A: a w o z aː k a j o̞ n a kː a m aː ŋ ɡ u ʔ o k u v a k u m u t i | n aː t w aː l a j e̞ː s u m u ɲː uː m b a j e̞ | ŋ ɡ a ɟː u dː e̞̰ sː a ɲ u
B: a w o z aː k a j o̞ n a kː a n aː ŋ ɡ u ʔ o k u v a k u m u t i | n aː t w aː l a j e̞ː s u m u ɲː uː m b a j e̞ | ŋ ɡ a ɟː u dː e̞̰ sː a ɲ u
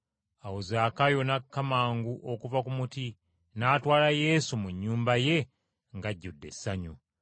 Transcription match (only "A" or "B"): A